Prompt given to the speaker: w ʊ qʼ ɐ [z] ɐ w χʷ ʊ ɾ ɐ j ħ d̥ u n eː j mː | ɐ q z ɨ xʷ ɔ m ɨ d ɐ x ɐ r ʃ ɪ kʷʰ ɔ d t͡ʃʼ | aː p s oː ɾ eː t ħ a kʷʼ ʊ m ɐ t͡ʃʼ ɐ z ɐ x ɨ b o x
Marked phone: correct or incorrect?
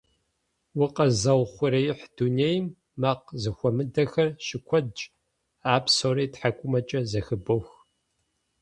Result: correct